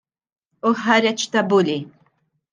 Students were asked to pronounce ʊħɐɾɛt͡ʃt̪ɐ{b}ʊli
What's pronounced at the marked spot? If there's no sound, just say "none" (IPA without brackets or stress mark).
b